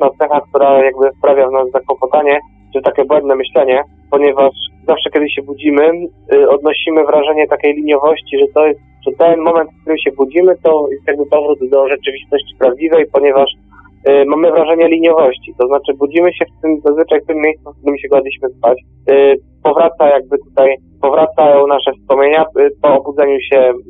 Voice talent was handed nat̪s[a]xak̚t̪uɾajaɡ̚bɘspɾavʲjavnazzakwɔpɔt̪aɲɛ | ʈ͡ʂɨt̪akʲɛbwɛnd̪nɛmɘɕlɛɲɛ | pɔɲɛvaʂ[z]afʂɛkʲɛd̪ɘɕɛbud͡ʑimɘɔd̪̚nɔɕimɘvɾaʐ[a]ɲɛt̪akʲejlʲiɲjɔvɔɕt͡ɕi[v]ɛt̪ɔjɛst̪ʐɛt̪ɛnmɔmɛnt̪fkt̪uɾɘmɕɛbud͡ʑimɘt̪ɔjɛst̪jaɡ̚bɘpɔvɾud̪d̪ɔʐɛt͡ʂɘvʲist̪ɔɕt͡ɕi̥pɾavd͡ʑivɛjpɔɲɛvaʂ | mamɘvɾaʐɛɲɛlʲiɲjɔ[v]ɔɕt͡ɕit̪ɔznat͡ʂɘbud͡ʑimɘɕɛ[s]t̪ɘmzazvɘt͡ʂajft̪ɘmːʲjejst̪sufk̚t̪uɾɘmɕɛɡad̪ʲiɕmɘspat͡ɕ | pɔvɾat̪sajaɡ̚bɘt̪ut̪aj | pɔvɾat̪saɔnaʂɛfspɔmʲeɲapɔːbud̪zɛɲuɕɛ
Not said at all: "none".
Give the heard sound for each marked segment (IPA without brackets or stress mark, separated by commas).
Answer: ɛ, z, ɛ, ʐ, v, f